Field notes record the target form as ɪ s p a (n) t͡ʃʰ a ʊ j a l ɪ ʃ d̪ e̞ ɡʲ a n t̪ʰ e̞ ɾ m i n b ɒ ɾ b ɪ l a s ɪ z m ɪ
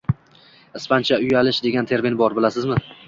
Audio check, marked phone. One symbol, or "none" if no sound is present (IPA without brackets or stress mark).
n